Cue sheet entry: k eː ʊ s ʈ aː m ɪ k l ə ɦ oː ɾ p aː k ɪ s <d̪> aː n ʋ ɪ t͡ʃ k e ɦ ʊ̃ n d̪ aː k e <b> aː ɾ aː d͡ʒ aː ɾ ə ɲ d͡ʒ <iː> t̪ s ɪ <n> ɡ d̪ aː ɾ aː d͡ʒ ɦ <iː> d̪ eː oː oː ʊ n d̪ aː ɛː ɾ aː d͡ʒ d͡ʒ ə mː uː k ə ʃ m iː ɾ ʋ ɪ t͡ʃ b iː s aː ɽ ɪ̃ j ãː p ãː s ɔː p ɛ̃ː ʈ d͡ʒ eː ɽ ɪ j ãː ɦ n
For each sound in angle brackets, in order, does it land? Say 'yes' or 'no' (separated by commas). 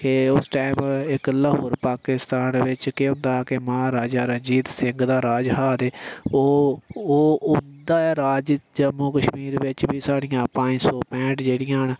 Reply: no, no, yes, no, no